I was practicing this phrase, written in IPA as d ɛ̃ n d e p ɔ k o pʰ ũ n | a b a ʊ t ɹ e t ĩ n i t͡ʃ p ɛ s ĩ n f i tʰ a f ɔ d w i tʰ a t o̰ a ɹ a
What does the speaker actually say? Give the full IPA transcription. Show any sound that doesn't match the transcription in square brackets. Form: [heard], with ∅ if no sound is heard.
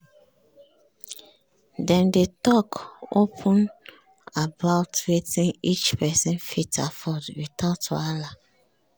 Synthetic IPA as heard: d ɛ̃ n d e [t] ɔ k o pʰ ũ n | a b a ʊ t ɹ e t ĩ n i t͡ʃ p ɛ s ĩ n f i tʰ a f ɔ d w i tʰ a t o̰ a [l] a